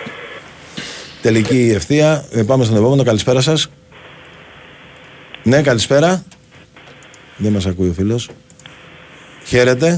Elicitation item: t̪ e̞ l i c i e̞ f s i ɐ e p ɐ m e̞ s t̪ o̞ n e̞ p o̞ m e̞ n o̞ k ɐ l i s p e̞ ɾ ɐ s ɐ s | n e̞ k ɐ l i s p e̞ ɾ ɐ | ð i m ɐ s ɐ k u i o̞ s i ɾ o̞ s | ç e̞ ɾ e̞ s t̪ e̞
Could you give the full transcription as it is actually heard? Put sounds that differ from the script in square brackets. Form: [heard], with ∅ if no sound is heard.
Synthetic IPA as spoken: t̪ e̞ l i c i e̞ f [θ] i ɐ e p ɐ m e̞ s t̪ o̞ n e̞ p o̞ m e̞ n o̞ k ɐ l i s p e̞ ɾ ɐ s ɐ s | n e̞ k ɐ l i s p e̞ ɾ ɐ | ð [e] m ɐ s ɐ k u i o̞ [f] i [l] o̞ s | ç e̞ ɾ e̞ [∅] t̪ e̞